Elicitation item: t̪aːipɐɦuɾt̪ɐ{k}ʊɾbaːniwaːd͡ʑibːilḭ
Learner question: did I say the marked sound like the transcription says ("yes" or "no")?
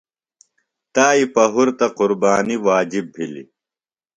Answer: no